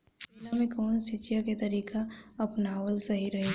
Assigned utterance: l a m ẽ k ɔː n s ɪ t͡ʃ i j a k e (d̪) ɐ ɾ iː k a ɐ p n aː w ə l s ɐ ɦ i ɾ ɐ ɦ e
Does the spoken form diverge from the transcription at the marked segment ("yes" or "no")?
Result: yes